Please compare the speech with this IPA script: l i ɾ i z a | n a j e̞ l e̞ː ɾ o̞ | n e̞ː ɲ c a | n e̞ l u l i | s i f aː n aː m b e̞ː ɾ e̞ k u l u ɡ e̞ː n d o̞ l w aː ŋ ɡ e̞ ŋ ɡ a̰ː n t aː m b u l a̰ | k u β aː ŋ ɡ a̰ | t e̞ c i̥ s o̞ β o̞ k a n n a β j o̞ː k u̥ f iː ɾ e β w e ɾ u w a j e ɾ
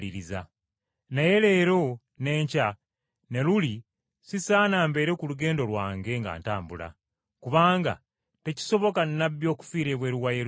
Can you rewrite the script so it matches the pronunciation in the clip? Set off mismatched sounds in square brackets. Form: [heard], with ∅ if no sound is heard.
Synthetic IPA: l i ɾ i z a | n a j e̞ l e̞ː ɾ o̞ | n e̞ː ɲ c a | n e̞ l u l i | s i [s] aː n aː m b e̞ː ɾ e̞ k u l u ɡ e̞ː n d o̞ l w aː ŋ ɡ e̞ ŋ ɡ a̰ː n t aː m b u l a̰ | k u β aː ŋ ɡ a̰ | t e̞ c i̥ s o̞ β o̞ k a n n a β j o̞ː k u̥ f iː ɾ e β w e ɾ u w a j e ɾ